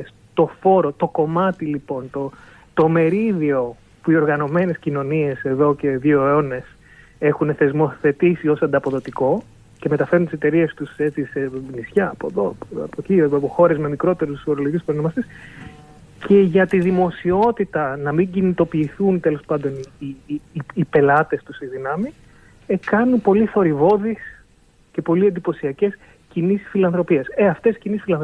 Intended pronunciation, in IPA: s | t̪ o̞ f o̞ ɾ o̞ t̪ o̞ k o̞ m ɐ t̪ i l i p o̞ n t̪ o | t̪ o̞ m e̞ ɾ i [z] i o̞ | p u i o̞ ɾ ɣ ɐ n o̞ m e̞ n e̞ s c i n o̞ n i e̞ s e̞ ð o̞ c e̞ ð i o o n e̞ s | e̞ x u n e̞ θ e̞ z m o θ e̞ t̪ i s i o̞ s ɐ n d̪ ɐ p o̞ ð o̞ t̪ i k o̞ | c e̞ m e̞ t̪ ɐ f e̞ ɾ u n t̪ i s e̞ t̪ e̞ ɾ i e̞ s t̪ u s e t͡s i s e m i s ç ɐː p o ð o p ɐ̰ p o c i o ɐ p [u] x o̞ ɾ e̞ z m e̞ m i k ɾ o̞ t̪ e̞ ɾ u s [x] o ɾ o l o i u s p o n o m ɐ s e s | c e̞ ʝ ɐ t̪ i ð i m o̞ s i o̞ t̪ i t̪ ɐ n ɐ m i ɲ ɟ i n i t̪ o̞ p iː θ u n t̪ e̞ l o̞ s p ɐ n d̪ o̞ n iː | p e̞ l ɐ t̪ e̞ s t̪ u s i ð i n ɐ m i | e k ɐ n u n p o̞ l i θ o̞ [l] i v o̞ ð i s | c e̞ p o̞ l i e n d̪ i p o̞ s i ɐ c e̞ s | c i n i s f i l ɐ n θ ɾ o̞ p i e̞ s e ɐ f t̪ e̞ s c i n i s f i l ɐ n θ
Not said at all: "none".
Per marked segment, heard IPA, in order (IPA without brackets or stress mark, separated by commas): ð, o, f, ɾ